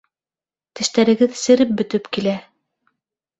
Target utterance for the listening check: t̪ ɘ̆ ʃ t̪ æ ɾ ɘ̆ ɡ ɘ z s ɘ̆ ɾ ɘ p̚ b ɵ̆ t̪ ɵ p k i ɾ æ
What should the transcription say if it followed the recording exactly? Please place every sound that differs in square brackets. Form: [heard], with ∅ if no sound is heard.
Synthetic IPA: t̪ ɘ̆ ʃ t̪ æ ɾ ɘ̆ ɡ ɘ [ð] s ɘ̆ ɾ ɘ p̚ b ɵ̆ t̪ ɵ p k i [l] æ